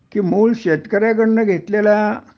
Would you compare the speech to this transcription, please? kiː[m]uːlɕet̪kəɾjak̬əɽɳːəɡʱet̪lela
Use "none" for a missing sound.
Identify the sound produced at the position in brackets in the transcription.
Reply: m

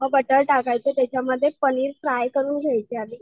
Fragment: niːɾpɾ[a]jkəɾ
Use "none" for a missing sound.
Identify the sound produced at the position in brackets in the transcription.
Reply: a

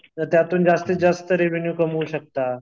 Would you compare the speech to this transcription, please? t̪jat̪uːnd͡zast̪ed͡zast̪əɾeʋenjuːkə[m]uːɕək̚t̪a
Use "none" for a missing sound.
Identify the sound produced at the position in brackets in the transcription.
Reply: m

